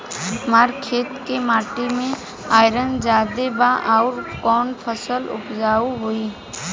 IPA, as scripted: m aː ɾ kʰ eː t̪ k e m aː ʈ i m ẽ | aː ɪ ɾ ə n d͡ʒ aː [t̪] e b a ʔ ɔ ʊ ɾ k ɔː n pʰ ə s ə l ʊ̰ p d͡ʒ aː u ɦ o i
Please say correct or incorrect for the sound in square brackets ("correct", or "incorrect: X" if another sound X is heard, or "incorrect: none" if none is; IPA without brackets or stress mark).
incorrect: d̪